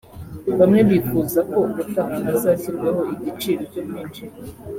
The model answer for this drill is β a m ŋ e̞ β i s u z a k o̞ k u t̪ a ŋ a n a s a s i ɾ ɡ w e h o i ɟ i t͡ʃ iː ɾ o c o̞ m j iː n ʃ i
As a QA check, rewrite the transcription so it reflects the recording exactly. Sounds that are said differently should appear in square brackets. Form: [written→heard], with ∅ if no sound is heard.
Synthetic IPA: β a m ŋ e̞ β i [s→f] u z a k o̞ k u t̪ a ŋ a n a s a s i ɾ ɡ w e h o i ɟ i t͡ʃ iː ɾ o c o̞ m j iː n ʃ i